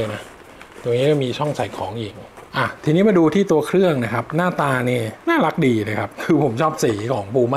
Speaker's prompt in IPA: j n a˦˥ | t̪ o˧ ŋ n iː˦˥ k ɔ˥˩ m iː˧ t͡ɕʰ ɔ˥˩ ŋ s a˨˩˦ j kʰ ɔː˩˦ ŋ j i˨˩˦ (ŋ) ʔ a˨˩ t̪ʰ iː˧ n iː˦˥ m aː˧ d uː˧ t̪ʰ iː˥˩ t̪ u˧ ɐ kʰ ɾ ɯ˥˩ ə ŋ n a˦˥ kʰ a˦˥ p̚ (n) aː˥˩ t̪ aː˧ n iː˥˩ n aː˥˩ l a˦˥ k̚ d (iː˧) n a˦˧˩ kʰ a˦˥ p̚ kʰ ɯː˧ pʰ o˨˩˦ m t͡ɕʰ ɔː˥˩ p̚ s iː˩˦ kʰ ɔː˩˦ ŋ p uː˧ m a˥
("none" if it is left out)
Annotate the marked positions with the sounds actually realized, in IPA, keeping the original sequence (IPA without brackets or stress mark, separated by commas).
ŋ, n, iː˧